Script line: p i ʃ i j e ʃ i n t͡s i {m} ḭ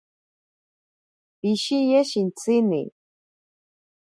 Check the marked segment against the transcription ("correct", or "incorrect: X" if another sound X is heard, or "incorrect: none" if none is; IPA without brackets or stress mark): incorrect: n